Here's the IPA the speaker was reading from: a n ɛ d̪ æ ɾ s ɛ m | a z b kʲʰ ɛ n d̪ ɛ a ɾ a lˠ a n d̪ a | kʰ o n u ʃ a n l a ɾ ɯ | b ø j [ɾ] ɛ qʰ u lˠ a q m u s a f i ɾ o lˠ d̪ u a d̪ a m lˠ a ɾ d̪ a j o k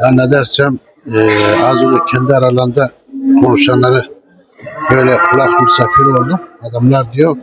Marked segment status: incorrect: l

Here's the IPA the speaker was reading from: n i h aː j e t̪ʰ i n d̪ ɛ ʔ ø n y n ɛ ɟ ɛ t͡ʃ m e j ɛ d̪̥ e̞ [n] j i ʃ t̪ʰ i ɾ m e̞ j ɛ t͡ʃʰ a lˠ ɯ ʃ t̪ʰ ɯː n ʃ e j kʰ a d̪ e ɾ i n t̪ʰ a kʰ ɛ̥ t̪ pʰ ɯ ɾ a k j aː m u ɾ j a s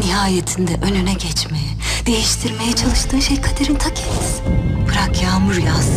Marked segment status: incorrect: none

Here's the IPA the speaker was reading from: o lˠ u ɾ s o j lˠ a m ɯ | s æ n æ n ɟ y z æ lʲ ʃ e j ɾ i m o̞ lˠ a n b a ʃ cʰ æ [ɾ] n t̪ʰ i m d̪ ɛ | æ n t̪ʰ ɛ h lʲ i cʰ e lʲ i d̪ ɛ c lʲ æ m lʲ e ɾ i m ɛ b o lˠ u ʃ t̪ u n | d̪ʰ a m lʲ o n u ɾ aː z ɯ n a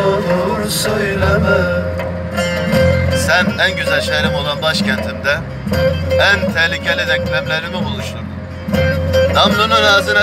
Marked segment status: incorrect: none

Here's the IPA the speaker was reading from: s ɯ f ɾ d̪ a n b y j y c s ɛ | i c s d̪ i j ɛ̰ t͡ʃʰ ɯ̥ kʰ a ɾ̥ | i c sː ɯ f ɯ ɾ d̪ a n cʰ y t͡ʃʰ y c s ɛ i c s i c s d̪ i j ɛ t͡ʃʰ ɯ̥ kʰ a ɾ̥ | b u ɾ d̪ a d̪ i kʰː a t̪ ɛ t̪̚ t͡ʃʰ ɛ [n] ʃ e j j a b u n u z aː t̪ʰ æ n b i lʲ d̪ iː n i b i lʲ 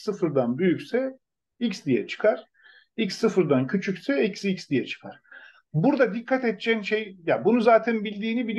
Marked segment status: correct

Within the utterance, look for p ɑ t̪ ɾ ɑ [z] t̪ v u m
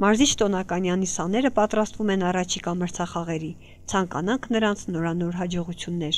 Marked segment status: incorrect: s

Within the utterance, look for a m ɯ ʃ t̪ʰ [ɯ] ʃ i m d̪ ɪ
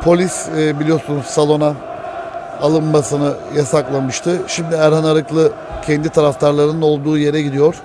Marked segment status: correct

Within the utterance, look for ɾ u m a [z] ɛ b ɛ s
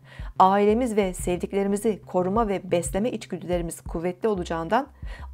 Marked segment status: incorrect: v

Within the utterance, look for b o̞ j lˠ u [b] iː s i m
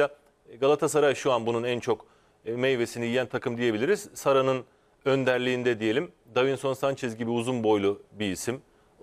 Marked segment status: correct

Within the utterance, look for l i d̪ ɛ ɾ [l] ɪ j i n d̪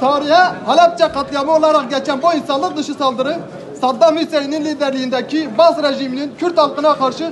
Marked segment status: correct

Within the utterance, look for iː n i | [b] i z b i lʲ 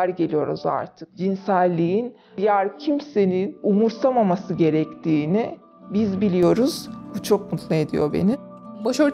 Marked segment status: correct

